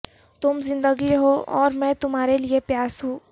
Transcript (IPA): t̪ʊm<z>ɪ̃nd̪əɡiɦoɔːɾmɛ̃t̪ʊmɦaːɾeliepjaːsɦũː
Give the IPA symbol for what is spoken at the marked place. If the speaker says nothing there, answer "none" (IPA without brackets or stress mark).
z